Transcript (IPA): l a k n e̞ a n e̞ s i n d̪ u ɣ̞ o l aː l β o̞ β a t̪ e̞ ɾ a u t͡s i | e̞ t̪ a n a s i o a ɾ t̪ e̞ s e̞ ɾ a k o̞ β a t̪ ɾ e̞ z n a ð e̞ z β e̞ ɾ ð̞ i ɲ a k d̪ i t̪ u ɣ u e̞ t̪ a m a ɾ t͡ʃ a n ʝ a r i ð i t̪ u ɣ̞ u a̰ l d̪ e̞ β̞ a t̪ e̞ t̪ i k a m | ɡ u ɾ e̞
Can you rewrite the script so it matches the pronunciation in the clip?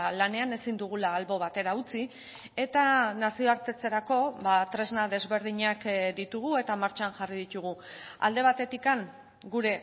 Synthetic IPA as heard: l a n e̞ a n e̞ s i n d̪ u ɣ̞ u l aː l β o̞ β a t̪ e̞ ɾ a u t͡s i | e̞ t̪ a n a s i o a ɾ t̪ e̞ t͡s e̞ ɾ a k o̞ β a t̪ ɾ e̞ z n a ð e̞ z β e̞ ɾ ð̞ i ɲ a k d̪ i t̪ u ɣ u e̞ t̪ a m a ɾ t͡ʃ a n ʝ a r i ð i t̪ u ɣ̞ u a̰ l d̪ e̞ β̞ a t̪ e̞ t̪ i k a ŋ | ɡ u ɾ e̞